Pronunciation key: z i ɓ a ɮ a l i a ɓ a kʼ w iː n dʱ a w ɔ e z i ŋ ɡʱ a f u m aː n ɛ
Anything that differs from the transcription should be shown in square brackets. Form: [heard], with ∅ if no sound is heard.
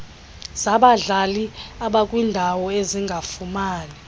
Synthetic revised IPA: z [a] ɓ a ɮ a l i a ɓ a kʼ w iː n dʱ a w ɔ e z i ŋ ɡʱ a f u m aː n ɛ